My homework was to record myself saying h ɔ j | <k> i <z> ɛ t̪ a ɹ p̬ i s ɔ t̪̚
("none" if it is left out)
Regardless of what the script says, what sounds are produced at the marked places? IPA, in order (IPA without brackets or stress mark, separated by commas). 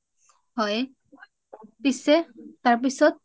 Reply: p, s